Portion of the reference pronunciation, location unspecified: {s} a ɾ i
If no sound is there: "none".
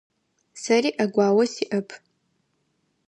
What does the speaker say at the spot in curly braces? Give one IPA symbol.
s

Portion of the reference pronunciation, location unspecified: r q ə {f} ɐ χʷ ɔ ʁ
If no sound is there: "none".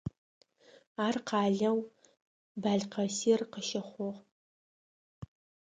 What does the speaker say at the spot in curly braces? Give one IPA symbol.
ʃ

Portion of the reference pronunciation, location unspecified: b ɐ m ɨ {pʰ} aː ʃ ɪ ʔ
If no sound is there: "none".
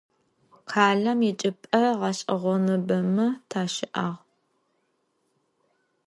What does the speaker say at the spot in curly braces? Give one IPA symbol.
tʰ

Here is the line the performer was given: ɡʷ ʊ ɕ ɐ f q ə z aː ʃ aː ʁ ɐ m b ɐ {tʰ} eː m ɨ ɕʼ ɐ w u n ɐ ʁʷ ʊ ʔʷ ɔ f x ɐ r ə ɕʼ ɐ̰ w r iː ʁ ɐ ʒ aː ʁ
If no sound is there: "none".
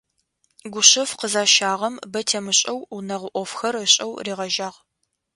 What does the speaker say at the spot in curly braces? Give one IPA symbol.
tʰ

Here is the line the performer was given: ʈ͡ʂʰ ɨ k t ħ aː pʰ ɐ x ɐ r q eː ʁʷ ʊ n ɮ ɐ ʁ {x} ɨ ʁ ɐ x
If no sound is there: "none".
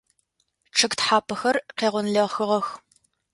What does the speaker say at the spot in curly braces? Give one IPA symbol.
x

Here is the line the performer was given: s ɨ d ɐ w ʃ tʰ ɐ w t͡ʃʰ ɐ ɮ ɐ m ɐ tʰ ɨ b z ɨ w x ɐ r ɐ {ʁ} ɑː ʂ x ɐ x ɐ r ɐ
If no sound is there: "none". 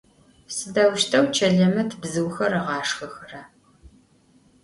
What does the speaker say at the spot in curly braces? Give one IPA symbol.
ʁ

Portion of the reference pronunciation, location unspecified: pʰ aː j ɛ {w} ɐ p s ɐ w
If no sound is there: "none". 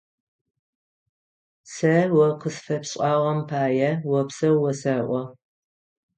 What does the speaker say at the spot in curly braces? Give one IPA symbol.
w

